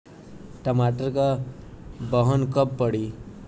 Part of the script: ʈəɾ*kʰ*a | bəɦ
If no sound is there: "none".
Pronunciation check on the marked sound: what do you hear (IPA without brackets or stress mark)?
k